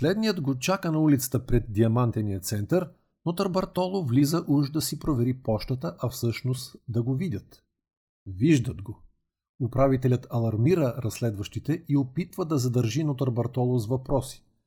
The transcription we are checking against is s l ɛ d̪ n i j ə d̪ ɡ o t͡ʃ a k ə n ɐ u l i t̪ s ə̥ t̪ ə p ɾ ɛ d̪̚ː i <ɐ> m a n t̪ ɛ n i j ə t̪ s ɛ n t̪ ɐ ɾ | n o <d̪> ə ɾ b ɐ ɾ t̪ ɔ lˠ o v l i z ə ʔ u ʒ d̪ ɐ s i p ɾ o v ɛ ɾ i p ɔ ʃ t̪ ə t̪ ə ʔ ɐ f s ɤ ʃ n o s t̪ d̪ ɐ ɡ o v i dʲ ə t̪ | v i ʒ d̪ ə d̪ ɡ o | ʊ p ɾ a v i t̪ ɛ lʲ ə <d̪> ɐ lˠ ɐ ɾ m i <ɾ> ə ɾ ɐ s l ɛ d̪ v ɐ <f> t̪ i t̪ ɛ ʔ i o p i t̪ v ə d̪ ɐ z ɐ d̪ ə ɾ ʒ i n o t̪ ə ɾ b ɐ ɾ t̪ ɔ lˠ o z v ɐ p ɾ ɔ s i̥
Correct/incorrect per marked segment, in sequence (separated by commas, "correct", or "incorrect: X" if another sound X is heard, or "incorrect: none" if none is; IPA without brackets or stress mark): correct, incorrect: t̪, incorrect: t̪, correct, incorrect: ʃ